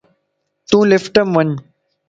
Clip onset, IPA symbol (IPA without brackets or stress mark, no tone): t̪